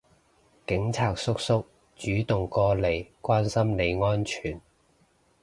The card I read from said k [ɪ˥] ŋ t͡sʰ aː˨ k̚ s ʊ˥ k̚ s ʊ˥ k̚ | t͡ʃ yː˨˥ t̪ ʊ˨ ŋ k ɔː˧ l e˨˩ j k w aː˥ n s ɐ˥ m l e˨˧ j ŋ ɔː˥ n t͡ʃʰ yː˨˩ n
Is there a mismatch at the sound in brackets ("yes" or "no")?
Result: yes